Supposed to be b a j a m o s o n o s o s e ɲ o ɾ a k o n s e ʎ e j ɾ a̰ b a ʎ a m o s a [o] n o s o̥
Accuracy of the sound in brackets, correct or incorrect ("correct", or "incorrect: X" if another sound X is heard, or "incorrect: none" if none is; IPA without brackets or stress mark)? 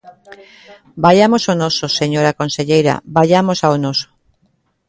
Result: correct